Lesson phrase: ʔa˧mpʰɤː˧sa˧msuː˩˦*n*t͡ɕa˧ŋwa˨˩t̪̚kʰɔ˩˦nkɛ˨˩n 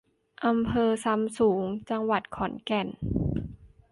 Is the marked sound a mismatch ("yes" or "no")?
yes